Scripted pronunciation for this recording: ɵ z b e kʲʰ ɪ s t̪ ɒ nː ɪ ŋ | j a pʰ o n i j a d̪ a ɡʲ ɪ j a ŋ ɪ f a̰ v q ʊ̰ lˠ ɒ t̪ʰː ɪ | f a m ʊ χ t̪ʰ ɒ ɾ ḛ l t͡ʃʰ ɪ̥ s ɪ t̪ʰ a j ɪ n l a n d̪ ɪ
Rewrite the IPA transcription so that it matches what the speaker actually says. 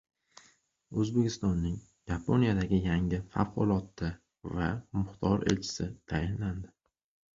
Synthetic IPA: ɵ z b e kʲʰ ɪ s t̪ ɒ nː ɪ ŋ | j a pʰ o n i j a d̪ a ɡʲ ɪ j a ŋ ɪ f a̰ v q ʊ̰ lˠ ɒ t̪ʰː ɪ | v a m ʊ χ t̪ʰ ɒ ɾ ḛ l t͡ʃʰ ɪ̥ s ɪ t̪ʰ a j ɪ n l a n d̪ ɪ